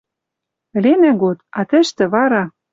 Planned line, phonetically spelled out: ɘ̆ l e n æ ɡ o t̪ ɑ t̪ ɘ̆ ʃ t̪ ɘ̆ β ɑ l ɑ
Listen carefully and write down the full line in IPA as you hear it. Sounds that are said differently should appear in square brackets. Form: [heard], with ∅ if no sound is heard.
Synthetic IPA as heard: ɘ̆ l e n æ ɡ o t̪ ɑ t̪ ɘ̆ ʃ t̪ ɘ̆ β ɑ [ɾ] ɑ